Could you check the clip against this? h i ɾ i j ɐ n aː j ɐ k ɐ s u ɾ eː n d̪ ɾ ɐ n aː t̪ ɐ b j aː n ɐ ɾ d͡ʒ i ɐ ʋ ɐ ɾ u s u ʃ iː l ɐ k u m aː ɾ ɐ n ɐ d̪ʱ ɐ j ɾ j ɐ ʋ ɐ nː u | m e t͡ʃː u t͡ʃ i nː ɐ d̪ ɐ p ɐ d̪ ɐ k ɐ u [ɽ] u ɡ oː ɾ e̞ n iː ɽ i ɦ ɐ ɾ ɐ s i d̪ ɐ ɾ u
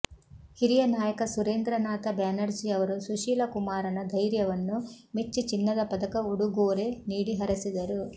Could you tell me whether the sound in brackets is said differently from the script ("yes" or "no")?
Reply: no